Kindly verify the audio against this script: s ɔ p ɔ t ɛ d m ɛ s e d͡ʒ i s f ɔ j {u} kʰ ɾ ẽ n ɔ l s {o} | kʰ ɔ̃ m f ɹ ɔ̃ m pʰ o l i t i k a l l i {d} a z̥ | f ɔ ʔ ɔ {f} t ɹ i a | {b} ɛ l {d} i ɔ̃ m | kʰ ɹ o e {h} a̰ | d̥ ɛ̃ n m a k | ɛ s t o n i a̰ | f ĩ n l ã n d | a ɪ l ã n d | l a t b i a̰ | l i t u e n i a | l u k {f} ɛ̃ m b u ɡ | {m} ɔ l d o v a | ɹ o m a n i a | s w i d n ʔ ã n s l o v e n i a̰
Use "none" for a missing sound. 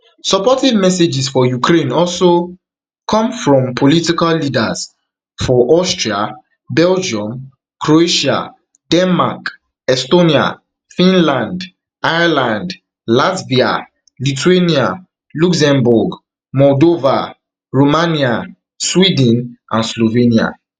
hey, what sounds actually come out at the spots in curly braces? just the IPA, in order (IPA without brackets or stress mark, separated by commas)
u, o, d, s, b, d͡ʒ, ʃ, s, m